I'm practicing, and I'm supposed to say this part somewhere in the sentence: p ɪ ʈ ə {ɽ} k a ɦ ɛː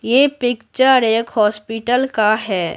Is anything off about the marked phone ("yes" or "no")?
yes